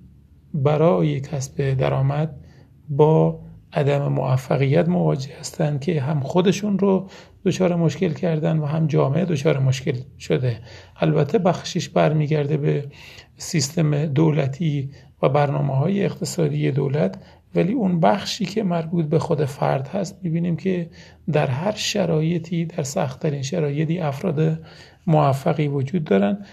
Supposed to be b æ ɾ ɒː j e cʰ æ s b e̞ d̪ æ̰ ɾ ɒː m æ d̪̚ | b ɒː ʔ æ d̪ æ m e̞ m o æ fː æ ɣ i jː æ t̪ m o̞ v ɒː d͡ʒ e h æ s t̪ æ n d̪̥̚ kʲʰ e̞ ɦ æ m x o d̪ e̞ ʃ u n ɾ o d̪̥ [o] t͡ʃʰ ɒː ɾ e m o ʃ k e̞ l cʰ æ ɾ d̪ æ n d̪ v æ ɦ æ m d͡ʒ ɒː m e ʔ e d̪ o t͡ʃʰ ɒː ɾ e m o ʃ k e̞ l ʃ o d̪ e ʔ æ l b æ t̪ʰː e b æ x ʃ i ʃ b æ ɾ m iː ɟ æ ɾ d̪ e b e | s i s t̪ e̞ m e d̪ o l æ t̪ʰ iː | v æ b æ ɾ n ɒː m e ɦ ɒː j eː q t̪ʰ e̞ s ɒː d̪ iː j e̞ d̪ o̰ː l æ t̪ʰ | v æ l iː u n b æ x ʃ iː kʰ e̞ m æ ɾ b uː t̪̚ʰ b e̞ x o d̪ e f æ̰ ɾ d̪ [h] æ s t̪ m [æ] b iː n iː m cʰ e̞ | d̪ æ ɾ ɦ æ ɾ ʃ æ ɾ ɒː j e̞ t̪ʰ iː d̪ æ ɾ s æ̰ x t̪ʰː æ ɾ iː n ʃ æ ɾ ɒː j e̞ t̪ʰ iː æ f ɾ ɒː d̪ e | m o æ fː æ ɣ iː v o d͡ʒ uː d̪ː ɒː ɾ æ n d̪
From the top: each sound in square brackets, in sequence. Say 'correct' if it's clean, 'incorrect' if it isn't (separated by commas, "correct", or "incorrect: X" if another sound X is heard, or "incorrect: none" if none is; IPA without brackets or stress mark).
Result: correct, correct, incorrect: i